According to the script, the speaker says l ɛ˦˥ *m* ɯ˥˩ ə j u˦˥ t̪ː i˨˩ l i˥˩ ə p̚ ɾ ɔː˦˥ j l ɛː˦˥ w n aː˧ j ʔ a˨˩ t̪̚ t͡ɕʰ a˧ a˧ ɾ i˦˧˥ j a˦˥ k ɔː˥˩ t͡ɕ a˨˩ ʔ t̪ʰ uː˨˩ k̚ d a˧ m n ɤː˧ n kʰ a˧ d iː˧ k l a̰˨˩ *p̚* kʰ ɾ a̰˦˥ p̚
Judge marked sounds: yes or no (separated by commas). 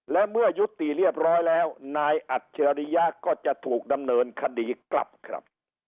yes, yes